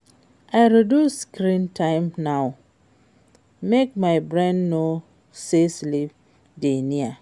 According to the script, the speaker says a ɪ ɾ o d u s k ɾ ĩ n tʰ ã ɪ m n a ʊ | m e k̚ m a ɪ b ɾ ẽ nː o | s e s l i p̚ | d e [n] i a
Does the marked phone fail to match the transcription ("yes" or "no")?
no